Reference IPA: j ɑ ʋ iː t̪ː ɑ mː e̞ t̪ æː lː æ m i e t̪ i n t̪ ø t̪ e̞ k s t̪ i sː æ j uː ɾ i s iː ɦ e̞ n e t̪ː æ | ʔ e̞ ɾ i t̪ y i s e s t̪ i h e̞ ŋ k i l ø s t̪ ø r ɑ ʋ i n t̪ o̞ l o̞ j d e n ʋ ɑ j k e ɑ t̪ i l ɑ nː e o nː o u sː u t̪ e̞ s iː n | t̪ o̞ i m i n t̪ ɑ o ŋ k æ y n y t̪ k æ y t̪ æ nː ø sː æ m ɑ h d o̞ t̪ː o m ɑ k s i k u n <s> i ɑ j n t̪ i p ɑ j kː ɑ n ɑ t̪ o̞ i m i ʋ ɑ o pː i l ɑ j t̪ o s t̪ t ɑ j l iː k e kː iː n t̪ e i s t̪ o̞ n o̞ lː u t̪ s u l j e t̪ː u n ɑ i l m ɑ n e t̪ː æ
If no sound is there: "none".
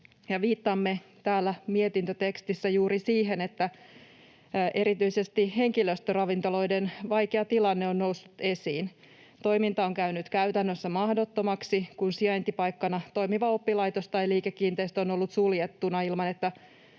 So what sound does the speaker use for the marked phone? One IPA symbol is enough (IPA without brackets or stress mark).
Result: s